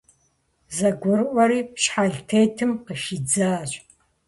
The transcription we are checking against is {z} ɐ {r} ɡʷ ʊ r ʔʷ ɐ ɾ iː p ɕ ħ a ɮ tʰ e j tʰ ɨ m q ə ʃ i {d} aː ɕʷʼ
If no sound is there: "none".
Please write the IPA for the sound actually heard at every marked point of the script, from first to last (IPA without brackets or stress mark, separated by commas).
z, none, d͡z